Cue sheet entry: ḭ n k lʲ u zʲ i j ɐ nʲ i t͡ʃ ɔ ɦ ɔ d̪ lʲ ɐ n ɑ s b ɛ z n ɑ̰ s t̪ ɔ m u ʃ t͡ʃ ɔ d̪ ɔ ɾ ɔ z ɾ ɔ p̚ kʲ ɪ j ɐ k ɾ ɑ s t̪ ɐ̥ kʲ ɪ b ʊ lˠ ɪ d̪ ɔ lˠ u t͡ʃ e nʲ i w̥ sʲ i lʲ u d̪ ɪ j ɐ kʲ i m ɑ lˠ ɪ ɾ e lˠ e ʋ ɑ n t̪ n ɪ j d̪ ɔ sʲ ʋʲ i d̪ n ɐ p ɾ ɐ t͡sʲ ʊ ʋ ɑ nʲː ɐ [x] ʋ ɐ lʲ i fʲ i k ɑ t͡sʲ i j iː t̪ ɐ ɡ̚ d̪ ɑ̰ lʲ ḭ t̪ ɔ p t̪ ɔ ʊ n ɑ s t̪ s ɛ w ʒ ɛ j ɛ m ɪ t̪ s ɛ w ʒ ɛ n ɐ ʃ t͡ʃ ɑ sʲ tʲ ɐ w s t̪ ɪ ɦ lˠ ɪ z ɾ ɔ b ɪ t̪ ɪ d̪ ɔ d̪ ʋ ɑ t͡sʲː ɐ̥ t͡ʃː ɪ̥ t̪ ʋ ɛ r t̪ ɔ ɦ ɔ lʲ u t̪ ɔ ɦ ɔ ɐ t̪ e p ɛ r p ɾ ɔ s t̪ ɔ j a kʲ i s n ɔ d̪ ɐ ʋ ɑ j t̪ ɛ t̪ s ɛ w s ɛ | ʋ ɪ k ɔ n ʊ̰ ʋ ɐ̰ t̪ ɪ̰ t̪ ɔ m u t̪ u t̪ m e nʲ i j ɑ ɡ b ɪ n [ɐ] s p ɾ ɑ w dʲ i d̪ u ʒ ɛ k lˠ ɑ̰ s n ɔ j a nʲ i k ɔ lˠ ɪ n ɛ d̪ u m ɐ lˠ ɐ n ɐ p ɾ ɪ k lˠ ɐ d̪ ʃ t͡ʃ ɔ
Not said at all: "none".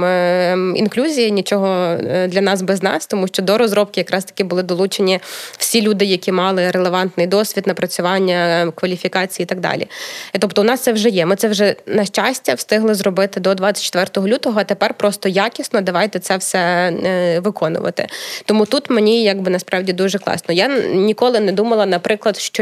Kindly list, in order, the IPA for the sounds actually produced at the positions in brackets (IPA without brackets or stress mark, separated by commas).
k, ɐ